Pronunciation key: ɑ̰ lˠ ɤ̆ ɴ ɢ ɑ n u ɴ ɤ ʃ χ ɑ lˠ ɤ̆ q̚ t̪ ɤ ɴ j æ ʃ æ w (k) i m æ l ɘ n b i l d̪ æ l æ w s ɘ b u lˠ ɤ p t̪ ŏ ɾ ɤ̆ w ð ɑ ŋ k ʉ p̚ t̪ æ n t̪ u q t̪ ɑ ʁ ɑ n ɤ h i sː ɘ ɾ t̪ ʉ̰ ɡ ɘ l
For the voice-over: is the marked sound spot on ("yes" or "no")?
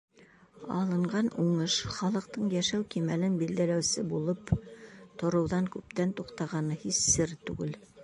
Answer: yes